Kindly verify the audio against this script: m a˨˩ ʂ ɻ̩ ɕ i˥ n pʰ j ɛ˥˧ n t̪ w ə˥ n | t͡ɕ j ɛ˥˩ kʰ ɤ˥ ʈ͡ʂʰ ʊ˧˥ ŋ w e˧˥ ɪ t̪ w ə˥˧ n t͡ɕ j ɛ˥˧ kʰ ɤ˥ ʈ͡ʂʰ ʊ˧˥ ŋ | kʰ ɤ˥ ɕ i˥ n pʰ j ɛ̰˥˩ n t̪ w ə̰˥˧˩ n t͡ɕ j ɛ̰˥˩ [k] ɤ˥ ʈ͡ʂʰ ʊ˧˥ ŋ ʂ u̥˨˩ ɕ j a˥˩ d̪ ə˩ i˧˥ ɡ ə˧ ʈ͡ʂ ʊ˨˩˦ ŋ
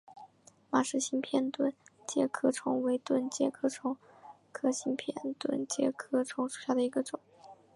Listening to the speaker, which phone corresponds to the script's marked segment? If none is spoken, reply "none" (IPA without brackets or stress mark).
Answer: kʰ